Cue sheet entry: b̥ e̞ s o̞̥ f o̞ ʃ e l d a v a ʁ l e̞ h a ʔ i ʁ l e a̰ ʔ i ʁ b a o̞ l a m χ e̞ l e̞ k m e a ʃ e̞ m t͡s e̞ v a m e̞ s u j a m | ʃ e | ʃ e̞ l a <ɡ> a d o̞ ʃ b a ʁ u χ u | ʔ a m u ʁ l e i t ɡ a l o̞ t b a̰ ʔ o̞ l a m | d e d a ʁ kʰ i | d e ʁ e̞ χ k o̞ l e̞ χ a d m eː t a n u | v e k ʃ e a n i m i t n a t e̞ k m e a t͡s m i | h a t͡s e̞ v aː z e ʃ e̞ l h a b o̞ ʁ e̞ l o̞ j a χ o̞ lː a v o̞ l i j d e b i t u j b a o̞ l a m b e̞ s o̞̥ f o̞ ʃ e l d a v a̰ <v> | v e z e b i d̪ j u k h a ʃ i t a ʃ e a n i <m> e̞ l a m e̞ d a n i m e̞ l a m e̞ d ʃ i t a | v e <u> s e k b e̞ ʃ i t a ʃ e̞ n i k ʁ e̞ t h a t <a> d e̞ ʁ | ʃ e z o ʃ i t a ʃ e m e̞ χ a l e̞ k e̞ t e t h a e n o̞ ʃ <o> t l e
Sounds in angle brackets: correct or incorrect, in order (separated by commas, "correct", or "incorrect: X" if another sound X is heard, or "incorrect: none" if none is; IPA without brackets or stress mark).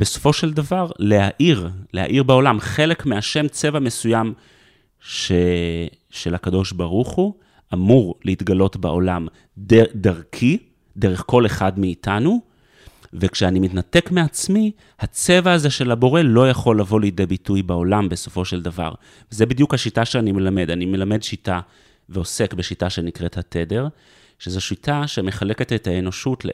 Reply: incorrect: k, incorrect: ʁ, correct, incorrect: o, incorrect: e, incorrect: u